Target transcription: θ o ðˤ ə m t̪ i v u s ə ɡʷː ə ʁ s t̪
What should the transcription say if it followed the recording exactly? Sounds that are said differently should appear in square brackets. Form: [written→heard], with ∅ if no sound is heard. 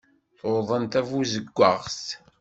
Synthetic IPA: θ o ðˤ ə [m→n] t̪ [i→æ] v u [s→z] ə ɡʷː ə ʁ s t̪